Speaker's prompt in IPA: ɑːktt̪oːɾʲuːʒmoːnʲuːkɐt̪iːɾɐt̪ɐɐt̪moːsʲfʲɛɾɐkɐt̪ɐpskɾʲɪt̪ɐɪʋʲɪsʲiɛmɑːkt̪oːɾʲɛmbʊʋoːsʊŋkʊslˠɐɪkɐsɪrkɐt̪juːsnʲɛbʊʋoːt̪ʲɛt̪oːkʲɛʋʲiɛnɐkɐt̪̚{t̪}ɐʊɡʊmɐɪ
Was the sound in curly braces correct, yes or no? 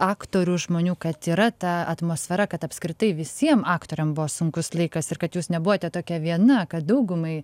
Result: no